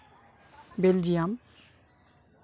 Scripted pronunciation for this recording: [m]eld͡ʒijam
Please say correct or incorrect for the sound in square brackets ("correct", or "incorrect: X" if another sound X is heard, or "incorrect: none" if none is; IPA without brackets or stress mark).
incorrect: b